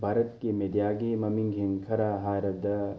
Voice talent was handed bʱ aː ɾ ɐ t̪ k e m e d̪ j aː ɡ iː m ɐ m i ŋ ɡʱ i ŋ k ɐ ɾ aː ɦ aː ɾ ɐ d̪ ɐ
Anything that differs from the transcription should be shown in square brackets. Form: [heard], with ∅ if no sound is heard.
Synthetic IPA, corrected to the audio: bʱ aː ɾ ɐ t̪ k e m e d̪ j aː ɡ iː m ɐ m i ŋ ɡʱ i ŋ [kʰ] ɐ ɾ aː ɦ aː ɾ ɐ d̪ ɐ